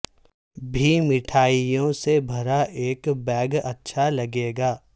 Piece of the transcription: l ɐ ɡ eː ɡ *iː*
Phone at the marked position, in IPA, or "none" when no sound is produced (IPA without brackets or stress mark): aː